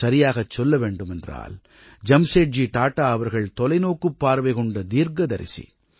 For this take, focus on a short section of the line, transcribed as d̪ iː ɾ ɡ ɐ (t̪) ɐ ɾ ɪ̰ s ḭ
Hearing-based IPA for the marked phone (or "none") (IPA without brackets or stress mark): d̪